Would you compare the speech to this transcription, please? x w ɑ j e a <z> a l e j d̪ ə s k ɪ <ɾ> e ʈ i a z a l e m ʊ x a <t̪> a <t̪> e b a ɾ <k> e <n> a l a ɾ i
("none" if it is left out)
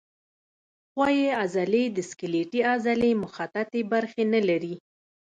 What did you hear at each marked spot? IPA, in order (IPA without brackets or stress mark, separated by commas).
z, l, t̪, t̪, x, n